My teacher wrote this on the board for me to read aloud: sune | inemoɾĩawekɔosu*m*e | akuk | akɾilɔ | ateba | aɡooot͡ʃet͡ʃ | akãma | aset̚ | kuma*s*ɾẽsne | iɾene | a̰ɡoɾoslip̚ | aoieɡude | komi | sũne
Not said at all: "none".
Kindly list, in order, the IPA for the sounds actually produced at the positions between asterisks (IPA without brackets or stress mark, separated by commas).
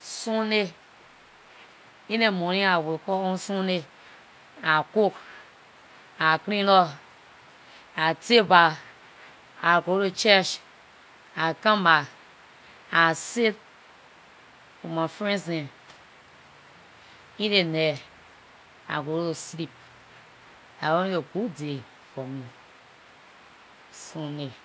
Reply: n, f